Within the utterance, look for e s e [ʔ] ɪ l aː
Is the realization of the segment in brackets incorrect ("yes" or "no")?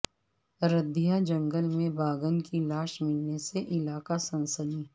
no